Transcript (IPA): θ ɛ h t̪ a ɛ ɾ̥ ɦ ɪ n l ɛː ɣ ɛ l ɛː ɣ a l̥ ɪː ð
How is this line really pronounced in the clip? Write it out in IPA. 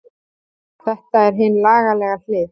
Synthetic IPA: θ ɛ h t̪ a ɛ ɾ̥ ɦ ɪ n l aː ɣ a l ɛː ɣ a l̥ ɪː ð